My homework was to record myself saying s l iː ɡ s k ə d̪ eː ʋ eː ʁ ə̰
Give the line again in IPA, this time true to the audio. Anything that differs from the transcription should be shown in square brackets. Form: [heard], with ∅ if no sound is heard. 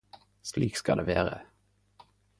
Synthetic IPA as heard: s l iː [k] s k [ɑ] d̪ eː ʋ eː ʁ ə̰